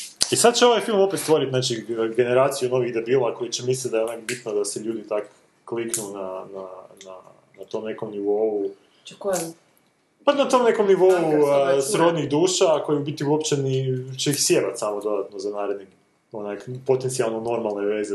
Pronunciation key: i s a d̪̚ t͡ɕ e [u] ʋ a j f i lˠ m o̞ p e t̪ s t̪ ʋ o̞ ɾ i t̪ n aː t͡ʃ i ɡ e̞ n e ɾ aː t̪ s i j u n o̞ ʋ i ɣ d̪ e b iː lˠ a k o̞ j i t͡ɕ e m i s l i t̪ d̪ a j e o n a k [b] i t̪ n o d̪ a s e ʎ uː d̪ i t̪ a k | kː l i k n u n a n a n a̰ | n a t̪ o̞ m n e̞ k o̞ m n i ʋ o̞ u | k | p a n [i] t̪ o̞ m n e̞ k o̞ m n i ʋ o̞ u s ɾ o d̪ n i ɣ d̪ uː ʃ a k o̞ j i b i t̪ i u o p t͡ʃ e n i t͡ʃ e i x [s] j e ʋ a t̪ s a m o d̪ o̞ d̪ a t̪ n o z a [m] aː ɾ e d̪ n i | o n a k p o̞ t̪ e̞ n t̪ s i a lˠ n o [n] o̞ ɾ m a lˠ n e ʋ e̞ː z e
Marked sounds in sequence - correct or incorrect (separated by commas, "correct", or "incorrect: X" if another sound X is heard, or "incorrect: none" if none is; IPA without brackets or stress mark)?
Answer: incorrect: o, correct, incorrect: a, correct, incorrect: n, correct